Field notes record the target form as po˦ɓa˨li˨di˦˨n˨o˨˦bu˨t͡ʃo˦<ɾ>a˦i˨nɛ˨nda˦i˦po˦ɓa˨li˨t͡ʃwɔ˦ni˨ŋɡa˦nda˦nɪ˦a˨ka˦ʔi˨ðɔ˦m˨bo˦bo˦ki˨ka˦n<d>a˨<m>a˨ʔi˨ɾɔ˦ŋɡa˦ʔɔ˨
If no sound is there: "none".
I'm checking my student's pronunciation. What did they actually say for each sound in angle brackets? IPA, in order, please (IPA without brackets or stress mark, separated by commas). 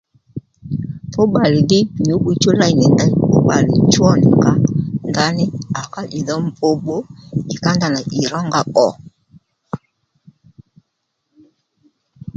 l, d, n